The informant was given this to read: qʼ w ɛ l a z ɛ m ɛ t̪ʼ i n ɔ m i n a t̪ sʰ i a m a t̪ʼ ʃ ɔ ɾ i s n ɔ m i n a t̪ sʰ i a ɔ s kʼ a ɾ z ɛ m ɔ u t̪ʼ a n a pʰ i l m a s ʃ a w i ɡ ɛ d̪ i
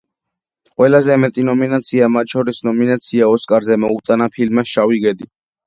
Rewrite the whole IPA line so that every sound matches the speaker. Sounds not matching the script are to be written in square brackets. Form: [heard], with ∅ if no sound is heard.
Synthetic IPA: qʼ w ɛ l a z ɛ m ɛ t̪ʼ i n ɔ m i n a t̪ sʰ i a m a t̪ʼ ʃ ɔ ɾ i s n ɔ m i n a t̪ sʰ i a ɔ s kʼ a ɾ z ɛ m ɔ u t̪ʼ a n a pʰ i l m a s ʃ a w i ɡ ɛ d̪ i